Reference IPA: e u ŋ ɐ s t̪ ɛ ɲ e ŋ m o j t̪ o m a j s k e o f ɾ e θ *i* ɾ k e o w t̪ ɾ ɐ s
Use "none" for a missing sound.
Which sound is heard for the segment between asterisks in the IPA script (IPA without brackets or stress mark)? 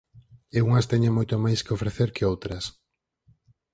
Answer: e